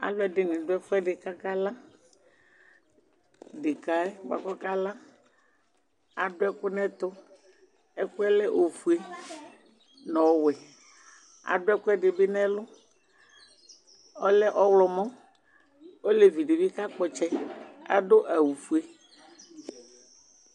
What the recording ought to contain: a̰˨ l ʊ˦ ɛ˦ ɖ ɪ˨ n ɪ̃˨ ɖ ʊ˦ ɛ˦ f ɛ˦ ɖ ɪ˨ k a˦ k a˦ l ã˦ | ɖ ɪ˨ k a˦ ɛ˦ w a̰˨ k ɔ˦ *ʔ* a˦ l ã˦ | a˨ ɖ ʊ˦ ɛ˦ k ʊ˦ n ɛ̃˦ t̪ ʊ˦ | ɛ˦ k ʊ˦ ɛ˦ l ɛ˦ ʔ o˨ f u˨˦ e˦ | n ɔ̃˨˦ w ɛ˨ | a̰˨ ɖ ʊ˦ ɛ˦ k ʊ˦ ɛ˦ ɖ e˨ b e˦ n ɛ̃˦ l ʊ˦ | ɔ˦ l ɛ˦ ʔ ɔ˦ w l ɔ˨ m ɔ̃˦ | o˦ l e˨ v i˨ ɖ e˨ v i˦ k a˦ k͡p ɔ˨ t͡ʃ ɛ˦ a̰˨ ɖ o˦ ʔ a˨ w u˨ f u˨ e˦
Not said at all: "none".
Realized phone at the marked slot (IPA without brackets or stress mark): k